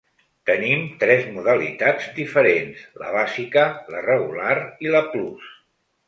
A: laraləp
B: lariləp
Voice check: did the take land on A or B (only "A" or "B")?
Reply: B